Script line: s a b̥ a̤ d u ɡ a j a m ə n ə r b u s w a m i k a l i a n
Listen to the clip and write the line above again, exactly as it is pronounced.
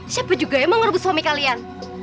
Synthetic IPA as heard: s a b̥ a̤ d͡ʒ u ɡ a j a m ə ŋ ə r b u s w a m i k a l i a n